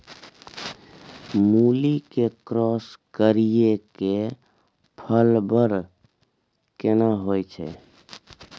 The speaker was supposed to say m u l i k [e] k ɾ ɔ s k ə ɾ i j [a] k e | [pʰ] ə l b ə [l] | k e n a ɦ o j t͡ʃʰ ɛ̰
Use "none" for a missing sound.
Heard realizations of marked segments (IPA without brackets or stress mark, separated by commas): e, e, pʰ, ɾ